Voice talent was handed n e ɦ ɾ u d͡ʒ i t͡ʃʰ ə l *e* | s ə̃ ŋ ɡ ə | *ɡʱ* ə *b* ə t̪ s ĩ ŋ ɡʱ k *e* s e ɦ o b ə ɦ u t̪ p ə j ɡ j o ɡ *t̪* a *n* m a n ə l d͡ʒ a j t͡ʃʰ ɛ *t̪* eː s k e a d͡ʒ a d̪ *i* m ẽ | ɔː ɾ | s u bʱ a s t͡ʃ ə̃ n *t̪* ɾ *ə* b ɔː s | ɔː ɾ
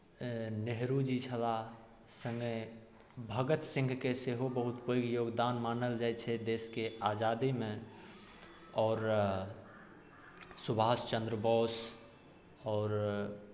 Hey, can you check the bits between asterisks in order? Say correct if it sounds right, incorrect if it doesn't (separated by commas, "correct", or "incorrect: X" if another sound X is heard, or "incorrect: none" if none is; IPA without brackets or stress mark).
incorrect: a, incorrect: bʱ, incorrect: ɡ, correct, incorrect: d̪, correct, incorrect: d̪, correct, incorrect: d̪, correct